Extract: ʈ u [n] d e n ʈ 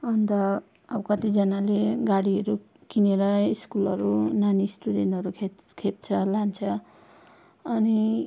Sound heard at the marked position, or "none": none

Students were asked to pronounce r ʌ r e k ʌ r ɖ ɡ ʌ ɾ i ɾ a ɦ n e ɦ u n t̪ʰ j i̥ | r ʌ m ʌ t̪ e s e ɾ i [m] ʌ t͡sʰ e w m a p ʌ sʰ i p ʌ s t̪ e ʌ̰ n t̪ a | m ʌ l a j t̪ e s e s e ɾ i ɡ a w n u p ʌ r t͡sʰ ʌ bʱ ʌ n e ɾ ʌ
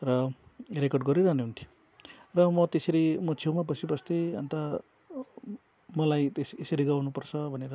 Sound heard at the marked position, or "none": m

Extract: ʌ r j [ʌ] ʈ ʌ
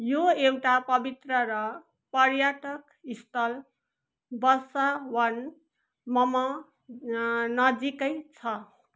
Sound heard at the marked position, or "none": a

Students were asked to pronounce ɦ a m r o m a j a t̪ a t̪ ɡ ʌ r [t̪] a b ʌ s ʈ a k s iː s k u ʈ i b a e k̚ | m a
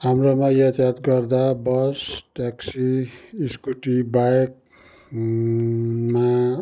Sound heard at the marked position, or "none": d̪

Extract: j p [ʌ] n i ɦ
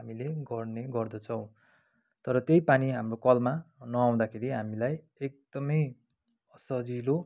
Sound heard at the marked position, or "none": a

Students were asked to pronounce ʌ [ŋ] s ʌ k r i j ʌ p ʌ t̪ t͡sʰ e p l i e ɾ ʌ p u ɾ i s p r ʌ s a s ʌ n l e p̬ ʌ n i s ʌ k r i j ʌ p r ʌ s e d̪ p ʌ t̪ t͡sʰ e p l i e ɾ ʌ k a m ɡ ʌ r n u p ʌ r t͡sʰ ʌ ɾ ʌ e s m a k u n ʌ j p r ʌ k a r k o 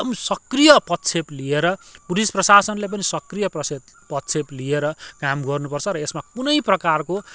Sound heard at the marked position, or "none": m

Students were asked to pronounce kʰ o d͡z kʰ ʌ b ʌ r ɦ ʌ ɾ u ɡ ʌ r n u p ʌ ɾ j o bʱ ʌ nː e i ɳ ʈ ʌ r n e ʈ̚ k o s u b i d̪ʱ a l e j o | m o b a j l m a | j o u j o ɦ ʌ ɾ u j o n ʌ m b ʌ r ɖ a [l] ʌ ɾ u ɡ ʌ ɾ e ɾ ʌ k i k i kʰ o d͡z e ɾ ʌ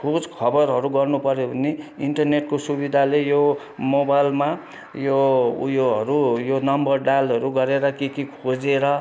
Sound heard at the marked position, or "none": l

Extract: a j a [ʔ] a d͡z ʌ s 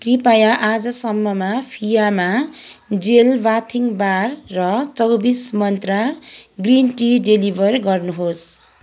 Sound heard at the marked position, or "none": ʔ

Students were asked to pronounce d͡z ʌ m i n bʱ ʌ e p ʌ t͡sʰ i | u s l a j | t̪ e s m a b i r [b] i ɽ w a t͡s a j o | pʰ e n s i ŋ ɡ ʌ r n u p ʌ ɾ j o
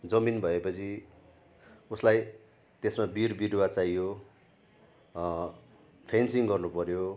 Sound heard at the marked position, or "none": b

